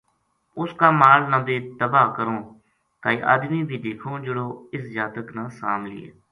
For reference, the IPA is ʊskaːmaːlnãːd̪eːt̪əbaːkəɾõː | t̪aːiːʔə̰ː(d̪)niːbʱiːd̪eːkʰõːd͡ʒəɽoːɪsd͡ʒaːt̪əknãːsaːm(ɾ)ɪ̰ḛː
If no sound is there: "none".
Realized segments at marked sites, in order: d̪, l

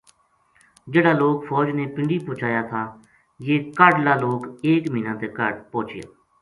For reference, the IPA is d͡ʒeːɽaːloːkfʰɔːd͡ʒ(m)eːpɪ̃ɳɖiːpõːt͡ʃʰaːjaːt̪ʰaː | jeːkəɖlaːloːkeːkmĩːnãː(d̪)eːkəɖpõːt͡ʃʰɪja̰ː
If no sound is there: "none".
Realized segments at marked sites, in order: n, t̪

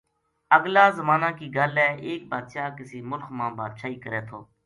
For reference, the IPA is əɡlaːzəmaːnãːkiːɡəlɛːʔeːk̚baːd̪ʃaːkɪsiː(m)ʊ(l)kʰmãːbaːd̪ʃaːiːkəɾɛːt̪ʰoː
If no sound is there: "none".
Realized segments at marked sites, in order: m, l

